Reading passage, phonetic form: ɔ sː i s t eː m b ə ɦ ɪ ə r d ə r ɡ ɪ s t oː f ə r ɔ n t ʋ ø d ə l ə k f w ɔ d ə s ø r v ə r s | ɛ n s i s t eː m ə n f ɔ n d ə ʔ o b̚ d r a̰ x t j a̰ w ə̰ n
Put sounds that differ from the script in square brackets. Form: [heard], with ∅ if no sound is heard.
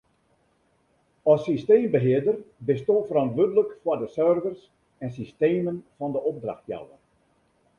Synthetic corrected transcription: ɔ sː i s t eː m b ə ɦ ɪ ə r d ə r [b] ɪ s t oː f ə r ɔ n t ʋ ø d ə l ə k f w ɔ d ə s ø r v ə r s | ɛ n s i s t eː m ə n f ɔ n d ə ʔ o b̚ d r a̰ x t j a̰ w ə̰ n